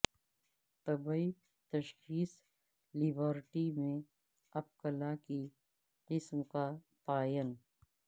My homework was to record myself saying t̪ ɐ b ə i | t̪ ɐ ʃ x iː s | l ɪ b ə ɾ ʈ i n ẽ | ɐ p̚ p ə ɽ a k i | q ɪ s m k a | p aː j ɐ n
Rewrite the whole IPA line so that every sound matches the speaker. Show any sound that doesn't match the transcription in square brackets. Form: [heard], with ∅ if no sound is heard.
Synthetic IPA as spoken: t̪ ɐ b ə i | t̪ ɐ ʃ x iː s | l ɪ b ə ɾ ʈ i [m] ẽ | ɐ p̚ [k] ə [l] a k i | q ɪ s m k a | p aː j [ə] n